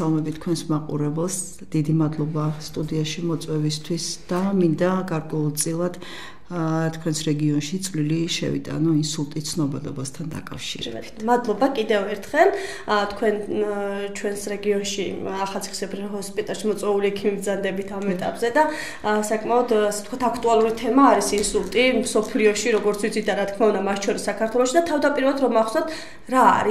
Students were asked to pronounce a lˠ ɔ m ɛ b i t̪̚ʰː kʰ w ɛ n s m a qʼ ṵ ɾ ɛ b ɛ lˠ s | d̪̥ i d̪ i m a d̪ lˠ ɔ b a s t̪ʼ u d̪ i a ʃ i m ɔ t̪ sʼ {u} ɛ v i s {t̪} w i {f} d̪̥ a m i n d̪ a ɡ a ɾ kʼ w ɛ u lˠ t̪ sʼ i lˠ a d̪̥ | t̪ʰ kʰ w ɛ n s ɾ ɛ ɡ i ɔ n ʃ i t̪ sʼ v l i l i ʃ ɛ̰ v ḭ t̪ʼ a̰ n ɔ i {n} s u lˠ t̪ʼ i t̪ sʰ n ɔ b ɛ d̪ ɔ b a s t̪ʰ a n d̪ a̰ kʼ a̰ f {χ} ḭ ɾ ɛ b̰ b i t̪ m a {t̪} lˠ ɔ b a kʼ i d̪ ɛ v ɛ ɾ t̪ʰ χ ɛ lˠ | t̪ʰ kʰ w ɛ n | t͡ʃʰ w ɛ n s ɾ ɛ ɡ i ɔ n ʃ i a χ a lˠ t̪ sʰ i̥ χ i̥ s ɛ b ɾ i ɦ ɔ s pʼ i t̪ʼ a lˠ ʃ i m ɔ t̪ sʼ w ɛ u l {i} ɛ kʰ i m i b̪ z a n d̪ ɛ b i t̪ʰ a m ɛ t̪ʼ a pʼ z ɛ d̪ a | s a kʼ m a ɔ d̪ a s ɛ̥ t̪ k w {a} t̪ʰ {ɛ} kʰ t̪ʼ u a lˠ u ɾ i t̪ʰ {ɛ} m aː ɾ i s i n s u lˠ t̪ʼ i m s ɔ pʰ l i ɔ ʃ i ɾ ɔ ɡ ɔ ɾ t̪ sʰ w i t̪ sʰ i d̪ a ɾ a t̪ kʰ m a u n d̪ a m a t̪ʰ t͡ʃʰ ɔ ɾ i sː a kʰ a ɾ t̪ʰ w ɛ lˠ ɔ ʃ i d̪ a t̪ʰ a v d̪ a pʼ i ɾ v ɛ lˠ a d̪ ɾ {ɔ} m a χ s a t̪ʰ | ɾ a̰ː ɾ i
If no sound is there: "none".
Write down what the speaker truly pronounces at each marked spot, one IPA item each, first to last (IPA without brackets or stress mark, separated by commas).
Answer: w, t̪ʰ, s, n, ʃ, d̪, i, a, a, ɛ, ɔ